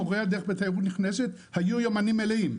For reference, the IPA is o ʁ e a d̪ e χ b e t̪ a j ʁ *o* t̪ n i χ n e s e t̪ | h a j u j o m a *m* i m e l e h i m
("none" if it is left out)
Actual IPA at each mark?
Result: u, n

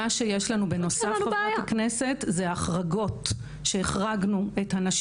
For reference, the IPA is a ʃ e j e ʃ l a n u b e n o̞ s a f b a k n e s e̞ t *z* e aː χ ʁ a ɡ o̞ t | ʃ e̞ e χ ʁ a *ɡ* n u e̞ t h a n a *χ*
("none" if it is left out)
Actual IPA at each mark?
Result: z, ɡ, ʃ

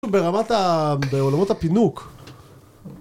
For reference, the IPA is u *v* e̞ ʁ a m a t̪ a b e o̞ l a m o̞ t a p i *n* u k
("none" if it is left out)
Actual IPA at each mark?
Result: b, n

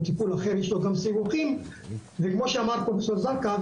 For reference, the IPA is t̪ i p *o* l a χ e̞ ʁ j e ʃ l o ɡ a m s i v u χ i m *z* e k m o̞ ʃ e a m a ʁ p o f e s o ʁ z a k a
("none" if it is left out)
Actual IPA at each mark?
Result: u, v

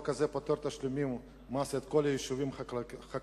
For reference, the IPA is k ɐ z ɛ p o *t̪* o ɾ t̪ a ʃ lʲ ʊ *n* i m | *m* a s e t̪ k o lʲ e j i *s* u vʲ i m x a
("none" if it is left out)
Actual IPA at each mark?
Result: t̪, m, m, ʃ

